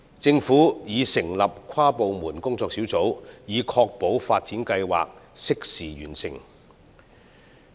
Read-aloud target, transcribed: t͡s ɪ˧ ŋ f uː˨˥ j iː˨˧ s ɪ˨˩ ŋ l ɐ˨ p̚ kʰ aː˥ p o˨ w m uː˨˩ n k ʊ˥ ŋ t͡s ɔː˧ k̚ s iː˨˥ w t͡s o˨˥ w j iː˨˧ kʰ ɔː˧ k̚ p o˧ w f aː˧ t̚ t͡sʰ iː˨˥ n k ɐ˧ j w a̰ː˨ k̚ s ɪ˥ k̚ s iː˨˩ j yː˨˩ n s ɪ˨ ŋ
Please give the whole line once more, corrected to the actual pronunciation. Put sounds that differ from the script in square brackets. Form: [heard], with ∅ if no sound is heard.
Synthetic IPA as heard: t͡s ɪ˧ ŋ f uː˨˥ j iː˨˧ s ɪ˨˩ ŋ l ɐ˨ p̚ kʰ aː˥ p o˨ w m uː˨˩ n k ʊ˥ ŋ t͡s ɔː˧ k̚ s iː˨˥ w t͡s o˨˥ w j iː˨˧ kʰ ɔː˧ k̚ p [o˨˥] w f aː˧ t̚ [t͡s] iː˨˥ n k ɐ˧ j w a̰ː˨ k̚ s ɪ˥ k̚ s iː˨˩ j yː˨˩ n s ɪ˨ ŋ